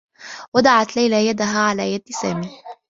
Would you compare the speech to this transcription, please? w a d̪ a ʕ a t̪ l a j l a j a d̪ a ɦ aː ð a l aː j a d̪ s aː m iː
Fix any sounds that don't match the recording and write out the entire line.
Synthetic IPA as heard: w a d̪ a ʕ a t̪ l a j l a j a d̪ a ɦ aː ʕ a l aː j a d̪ s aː m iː